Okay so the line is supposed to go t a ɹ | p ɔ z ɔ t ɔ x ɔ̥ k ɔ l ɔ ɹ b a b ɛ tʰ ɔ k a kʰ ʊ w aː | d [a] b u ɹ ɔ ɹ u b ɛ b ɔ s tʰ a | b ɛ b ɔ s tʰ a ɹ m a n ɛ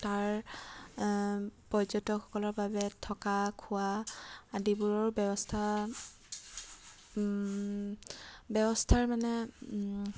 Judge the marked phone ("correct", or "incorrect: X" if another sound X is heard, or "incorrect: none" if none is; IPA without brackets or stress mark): incorrect: i